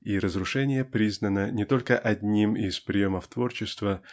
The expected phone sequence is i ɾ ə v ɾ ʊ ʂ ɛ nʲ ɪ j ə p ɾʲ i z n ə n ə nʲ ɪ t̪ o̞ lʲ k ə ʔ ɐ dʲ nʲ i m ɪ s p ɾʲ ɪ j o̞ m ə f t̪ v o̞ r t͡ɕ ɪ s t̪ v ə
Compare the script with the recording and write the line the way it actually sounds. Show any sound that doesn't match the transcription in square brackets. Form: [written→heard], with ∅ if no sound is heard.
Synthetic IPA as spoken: i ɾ ə [v→z] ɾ ʊ ʂ ɛ nʲ ɪ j ə p ɾʲ i z n ə n ə nʲ ɪ t̪ o̞ lʲ k ə ʔ ɐ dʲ nʲ i m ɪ s p ɾʲ ɪ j o̞ m ə f t̪ v o̞ r t͡ɕ ɪ s t̪ v ə